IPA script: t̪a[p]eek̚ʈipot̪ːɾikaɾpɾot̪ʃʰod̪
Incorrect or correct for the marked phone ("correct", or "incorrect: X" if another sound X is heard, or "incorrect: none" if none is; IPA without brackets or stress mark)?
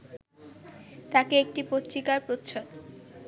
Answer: incorrect: k